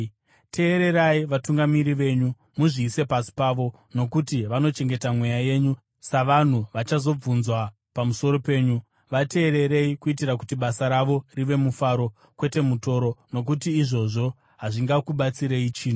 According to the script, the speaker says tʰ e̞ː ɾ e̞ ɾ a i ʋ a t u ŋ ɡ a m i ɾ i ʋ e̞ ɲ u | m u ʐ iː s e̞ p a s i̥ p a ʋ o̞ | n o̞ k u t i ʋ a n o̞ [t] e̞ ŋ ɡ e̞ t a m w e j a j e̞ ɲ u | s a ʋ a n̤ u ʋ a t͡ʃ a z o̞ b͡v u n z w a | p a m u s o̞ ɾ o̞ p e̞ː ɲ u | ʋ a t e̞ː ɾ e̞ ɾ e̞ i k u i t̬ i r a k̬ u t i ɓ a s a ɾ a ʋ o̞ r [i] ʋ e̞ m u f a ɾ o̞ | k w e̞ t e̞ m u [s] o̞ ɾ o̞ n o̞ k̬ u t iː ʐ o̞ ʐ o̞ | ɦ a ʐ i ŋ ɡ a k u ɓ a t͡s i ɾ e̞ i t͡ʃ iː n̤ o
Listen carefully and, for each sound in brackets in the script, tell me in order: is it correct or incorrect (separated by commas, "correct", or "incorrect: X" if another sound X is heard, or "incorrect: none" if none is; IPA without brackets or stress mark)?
incorrect: t͡ʃ, correct, incorrect: t